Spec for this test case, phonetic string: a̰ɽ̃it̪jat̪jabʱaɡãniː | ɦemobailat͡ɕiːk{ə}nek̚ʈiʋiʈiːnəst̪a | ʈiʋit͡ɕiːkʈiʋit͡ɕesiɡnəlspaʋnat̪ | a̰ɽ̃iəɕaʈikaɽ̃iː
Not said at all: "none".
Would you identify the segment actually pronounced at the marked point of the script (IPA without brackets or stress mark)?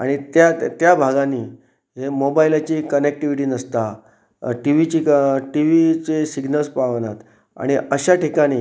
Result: ə